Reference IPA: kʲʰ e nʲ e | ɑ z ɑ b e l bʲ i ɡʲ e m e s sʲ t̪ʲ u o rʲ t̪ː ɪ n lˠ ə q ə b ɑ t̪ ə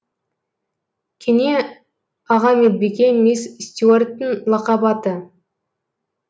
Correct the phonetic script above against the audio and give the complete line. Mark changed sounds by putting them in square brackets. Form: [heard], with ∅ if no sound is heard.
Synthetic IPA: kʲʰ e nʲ e | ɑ [ʁ] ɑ [m] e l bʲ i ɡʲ e m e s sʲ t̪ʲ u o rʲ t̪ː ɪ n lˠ [ɑ] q [ɑ] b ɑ t̪ ə